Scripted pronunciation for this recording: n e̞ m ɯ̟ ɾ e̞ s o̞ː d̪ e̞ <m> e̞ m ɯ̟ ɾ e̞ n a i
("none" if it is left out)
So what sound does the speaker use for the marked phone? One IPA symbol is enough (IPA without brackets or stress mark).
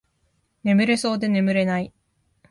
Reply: n